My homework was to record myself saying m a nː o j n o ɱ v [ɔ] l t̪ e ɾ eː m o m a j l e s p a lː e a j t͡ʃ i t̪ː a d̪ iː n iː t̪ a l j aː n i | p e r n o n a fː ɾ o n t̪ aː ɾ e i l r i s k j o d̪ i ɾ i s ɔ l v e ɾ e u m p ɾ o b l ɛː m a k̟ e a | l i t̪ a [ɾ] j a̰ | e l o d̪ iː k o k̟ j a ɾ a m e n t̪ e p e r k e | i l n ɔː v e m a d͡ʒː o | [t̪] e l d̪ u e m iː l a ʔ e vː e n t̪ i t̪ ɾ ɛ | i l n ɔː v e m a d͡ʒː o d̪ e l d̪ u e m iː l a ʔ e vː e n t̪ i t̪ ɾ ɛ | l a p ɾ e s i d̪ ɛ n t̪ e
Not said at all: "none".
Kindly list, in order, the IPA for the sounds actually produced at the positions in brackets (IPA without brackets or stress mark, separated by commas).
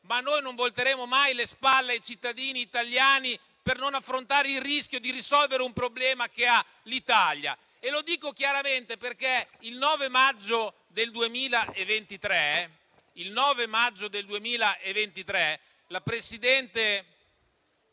o, l, d̪